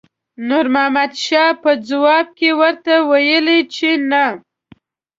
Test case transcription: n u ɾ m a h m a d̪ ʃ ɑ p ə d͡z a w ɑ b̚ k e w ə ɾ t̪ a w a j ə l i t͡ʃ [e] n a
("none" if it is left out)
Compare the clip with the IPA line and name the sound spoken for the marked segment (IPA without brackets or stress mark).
e